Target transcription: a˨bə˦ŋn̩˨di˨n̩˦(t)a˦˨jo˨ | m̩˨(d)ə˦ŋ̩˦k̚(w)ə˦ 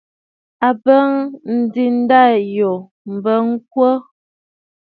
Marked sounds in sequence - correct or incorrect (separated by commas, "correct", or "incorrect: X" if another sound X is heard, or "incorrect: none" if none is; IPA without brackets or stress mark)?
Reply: incorrect: d, incorrect: b, correct